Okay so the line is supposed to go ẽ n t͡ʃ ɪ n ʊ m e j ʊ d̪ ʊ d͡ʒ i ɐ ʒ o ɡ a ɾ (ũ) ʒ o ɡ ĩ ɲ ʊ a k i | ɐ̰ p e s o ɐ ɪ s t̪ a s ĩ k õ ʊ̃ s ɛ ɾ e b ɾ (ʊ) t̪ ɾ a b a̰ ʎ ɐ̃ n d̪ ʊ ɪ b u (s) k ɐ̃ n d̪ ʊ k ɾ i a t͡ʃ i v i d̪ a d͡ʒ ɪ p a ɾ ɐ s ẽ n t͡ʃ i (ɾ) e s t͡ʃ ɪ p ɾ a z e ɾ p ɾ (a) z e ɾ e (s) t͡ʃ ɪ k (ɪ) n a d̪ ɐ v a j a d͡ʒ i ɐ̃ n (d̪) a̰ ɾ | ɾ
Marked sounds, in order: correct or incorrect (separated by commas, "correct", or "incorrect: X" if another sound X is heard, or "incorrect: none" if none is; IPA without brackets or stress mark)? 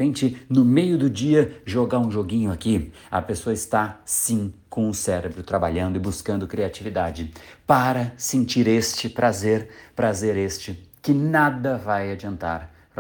correct, correct, correct, correct, correct, correct, correct, incorrect: t̪